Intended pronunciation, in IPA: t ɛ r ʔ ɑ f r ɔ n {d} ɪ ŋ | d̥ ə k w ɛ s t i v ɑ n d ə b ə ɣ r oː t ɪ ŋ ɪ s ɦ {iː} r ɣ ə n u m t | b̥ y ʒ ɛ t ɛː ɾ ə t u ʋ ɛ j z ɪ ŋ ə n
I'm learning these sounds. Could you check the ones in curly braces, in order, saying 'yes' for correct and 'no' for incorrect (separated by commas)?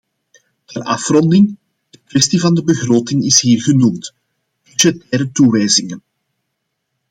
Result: yes, yes